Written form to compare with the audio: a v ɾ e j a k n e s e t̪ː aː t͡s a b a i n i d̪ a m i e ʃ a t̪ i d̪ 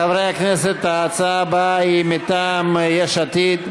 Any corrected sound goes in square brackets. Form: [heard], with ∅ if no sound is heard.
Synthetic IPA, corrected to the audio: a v ɾ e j a k n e s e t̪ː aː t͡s a b a i [m] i [t̪] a m [j] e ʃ a t̪ i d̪